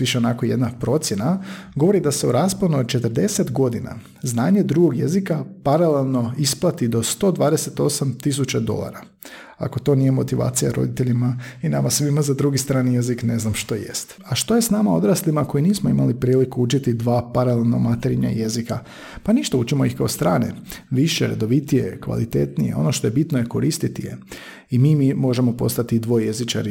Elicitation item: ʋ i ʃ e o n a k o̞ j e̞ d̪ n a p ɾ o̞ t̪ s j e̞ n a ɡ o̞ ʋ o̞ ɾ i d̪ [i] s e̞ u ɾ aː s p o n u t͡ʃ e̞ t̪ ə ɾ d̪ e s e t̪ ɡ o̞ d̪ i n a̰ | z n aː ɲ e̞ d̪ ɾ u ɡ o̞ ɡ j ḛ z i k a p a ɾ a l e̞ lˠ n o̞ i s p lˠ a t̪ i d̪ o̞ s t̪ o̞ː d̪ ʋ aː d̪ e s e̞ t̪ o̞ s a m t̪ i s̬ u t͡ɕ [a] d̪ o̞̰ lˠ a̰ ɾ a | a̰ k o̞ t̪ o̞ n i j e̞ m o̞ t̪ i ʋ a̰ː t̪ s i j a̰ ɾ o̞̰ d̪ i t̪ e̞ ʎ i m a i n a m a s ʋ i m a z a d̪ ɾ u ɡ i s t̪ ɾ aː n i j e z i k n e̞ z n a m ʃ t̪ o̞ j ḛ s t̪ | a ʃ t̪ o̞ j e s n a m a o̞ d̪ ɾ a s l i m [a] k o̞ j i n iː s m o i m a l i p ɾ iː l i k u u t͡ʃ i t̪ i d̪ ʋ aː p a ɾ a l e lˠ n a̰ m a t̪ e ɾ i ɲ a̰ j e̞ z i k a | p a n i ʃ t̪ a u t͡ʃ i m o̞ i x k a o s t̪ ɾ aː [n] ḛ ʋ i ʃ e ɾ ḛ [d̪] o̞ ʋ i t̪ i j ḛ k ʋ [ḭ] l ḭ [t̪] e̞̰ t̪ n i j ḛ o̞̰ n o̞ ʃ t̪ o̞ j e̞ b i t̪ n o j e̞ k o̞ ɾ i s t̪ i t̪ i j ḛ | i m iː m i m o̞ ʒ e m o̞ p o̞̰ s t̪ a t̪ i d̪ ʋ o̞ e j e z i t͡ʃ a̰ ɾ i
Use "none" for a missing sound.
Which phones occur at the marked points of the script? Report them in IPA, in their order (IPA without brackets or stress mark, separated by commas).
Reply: a, a, a, n, d̪, a̰, t̪